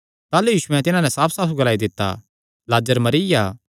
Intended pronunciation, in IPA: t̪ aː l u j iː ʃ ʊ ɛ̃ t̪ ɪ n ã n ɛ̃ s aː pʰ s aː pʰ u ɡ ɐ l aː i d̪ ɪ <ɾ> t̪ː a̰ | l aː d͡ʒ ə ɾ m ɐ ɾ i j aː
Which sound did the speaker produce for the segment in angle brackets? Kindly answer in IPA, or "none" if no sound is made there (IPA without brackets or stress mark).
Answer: none